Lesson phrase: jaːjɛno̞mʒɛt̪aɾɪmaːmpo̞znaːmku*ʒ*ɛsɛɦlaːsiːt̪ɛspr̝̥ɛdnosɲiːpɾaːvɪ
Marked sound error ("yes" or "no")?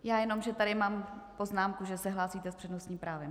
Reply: no